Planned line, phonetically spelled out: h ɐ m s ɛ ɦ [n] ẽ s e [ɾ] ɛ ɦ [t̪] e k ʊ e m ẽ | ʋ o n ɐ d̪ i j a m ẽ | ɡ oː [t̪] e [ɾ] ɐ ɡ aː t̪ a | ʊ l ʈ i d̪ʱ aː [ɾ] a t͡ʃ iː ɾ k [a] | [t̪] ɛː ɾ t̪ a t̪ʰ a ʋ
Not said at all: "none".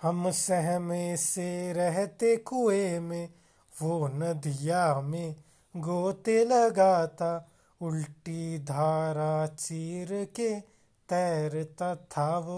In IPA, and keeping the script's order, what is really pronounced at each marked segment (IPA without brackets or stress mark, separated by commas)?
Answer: m, ɾ, t̪, t̪, l, ɾ, e, t̪